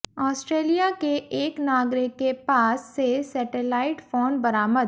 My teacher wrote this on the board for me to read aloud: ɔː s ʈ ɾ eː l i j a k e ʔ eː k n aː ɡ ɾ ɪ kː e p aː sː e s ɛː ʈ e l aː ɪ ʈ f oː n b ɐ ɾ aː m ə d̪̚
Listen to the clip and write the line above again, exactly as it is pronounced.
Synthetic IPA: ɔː s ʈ ɾ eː l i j a k e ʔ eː k n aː ɡ ɾ ɪ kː e p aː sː e s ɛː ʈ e l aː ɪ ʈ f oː n b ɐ ɾ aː m ə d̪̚

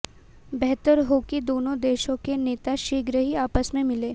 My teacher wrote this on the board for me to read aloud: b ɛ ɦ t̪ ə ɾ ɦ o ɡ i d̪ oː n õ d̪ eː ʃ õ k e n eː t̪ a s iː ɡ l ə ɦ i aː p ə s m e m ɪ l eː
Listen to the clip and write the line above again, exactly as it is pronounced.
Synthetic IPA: b ɛ ɦ t̪ ə ɾ ɦ o k i d̪ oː n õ d̪ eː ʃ õ k e n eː t̪ a ʃ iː ɡ ɾ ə ɦ i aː p ə s m ẽ m ɪ l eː

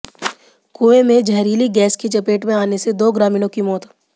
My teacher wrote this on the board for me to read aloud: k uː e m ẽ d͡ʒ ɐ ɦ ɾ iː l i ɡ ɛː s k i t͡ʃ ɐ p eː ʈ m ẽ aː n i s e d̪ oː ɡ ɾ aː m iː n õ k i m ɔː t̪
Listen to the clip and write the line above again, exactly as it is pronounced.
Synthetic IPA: k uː e m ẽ d͡ʒ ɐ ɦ ɾ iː l i ɡ ɛː s k i t͡ʃ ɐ p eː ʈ m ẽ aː n e s e d̪ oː ɡ ɾ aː m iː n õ k i m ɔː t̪

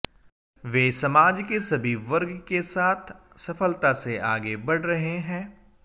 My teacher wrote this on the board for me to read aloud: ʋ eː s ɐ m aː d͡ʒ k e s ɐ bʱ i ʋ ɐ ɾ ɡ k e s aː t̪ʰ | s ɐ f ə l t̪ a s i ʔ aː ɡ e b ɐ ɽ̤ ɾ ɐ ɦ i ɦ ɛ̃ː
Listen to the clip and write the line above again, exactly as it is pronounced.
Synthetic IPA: ʋ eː s ɐ m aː d͡ʒ k e s ɐ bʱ i ʋ ɐ ɾ ɡ k e s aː t̪ʰ | s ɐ f ə l t̪ a s e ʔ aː ɡ e b ɐ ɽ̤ ɾ ɐ ɦ e ɦ ɛ̃ː

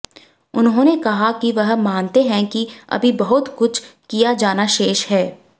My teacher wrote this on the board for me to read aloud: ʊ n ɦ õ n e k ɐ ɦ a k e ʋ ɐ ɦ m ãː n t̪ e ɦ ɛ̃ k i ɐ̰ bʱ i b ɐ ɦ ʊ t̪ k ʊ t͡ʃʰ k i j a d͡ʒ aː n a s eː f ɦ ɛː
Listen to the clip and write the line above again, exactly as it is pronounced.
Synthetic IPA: ʊ n ɦ õ n e k ɐ ɦ a k i ʋ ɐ ɦ m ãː n t̪ e ɦ ɛ̃ k i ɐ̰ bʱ i b ɐ ɦ ʊ t̪ k ʊ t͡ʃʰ k i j a d͡ʒ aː n a ʃ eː ʃ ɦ ɛː

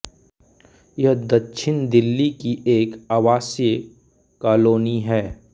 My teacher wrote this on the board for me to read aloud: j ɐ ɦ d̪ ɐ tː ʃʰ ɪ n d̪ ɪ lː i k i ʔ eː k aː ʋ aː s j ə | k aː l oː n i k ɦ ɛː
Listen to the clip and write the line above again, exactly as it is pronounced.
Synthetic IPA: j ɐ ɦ d̪ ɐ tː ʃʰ ɪ n d̪ ɪ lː i k i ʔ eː k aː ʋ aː s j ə | k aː l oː n i ɦ ɛː

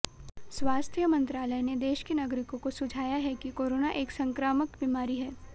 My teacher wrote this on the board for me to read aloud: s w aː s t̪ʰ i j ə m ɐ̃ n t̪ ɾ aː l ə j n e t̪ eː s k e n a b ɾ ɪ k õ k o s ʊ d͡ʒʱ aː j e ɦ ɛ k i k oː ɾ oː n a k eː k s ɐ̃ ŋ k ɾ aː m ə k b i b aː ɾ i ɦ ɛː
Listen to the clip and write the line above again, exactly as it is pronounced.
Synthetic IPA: s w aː s t̪ʰ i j ə m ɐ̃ n t̪ ɾ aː l ə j n e d̪ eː ʃ k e n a ɡ ɾ ɪ k õ k o s ʊ d͡ʒʱ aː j a ɦ ɛ k i k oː ɾ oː n a ʔ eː k s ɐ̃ ŋ k ɾ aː m ə k b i m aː ɾ i ɦ ɛː

